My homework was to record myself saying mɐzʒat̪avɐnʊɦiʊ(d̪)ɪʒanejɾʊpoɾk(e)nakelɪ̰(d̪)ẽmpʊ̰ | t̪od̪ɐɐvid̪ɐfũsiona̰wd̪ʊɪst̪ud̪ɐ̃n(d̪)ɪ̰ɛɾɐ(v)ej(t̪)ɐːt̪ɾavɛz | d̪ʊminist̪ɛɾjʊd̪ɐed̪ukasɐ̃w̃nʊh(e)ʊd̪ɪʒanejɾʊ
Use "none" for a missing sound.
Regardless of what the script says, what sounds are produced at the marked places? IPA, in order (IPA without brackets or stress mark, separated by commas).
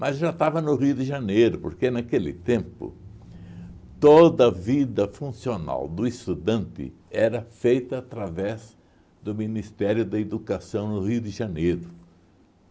d̪, e, t̪, t̪, f, t̪, i